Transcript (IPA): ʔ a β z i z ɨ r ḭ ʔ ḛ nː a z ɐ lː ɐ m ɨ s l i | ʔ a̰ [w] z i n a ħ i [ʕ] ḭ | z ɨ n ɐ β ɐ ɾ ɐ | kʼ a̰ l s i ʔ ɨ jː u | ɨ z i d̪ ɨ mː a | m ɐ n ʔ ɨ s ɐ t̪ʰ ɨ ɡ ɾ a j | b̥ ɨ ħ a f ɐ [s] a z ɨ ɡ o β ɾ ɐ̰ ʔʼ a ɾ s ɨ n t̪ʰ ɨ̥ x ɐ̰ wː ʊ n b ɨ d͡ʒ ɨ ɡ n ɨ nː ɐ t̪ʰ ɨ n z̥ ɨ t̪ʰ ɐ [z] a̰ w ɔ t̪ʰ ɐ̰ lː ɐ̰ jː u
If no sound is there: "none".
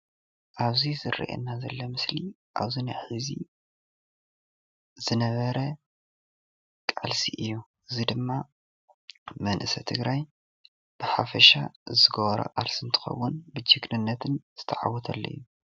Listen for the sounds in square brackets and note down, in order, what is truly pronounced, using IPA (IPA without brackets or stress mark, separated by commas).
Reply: β, z, ʃ, ʕ